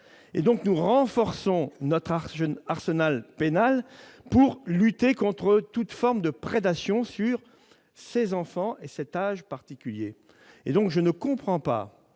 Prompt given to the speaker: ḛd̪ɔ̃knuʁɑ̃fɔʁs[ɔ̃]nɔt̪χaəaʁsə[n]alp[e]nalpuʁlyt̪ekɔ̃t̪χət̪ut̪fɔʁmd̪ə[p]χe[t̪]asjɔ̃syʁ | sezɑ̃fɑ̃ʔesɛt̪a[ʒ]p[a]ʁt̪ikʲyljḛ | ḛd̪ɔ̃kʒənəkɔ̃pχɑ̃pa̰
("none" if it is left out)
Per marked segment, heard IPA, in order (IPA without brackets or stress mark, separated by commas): ɔ̃, n, e, p, d̪, ʒ, a